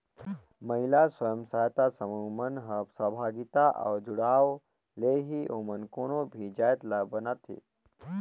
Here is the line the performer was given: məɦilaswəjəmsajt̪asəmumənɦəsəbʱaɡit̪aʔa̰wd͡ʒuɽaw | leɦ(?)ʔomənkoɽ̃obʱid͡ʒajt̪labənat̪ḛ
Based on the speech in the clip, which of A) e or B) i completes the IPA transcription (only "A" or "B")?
B